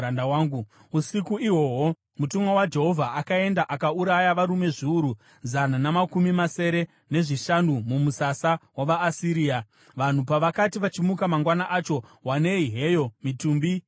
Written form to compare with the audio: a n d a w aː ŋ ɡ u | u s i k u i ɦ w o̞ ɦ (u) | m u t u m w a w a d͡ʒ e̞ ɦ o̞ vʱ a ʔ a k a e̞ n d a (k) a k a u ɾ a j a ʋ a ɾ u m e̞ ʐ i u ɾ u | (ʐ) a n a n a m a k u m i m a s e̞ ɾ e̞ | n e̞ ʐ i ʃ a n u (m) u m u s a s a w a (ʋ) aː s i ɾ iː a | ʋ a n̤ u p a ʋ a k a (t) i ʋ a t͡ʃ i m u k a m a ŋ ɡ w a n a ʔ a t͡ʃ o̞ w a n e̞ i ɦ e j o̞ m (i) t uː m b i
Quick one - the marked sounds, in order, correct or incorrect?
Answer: incorrect: o, incorrect: ʔ, incorrect: z, correct, correct, correct, correct

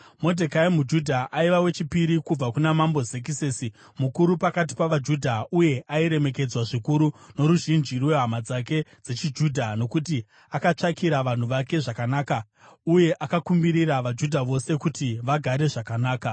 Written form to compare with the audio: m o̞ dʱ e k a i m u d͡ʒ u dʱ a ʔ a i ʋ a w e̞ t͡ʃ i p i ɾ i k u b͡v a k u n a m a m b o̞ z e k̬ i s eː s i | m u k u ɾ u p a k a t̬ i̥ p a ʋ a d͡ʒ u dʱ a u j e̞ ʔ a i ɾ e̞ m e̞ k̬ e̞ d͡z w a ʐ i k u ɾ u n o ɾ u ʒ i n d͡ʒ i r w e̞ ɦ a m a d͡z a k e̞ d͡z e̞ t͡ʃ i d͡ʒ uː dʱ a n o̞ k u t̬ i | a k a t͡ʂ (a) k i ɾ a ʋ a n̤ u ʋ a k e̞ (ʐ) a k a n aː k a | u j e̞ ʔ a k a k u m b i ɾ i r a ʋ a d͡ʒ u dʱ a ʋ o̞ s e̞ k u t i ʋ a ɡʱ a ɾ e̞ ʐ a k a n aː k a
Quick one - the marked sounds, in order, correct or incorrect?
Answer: correct, correct

